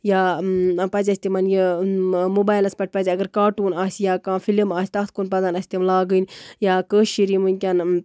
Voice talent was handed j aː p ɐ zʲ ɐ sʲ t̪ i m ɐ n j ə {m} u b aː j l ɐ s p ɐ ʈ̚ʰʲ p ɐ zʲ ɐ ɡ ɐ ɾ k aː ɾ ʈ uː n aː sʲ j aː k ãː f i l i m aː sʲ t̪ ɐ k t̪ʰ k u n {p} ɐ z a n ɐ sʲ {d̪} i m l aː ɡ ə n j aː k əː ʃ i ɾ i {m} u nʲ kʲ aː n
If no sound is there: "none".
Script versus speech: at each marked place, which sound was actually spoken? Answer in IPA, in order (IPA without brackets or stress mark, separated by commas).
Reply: m, p, t̪, m